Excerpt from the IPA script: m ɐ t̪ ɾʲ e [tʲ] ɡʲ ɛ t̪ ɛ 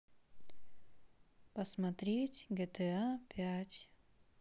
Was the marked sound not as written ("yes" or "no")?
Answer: no